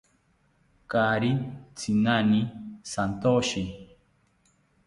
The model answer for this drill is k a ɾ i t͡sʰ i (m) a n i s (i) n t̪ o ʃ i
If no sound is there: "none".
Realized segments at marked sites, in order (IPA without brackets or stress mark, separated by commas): n, a